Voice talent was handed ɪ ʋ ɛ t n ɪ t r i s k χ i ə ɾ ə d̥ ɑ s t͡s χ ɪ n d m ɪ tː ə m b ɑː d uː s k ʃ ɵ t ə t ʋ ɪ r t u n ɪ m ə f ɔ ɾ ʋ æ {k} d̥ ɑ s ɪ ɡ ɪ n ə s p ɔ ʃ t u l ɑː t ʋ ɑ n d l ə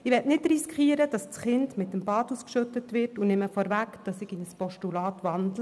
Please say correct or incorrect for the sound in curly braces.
correct